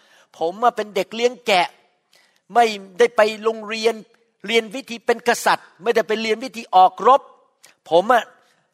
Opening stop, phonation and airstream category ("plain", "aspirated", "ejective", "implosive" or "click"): aspirated